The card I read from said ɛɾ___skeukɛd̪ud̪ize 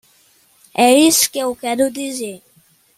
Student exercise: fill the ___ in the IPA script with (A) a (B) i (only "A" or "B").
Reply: B